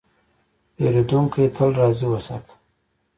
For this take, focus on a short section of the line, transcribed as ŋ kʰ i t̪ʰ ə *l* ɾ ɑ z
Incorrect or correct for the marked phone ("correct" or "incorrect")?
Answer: correct